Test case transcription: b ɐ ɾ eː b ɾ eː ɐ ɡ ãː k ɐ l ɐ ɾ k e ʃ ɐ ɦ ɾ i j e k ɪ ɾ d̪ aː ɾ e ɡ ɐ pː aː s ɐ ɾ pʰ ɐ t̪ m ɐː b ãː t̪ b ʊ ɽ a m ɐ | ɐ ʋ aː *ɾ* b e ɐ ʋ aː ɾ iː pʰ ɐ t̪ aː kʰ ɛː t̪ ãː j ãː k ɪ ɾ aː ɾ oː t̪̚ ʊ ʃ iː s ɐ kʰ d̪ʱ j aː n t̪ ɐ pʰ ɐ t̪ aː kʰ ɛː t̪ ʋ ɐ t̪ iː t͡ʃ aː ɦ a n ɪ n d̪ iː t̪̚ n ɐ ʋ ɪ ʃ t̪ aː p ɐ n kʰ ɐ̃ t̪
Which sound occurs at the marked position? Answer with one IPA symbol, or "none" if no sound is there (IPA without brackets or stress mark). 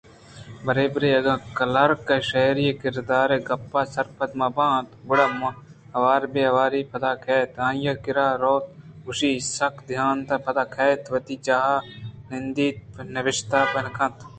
ɾ